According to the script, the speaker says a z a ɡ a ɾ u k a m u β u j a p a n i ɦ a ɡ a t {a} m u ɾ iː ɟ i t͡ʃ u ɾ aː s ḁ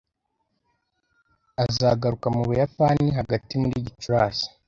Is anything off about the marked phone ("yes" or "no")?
yes